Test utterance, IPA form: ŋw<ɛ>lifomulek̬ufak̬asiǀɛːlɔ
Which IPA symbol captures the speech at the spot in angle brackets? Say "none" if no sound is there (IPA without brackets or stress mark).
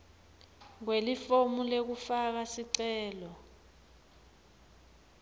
e